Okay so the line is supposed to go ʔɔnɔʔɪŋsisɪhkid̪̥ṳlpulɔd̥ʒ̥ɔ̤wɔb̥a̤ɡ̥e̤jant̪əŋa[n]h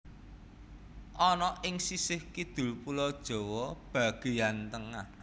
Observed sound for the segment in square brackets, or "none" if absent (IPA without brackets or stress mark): none